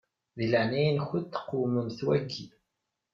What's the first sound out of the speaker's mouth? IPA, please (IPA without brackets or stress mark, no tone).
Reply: ð